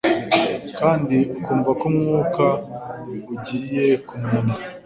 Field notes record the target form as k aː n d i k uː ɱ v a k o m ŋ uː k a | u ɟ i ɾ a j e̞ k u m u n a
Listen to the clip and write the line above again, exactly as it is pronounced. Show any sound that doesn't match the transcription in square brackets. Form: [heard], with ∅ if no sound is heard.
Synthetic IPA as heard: k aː n d i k uː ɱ v a k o m ŋ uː k a | u ɟ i ɾ [i] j e̞ k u m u n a